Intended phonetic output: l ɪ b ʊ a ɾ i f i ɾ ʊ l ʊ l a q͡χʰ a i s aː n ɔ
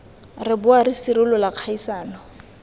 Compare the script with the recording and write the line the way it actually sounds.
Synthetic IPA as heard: r ɪ b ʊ a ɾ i s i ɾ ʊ l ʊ l a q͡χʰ a i s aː n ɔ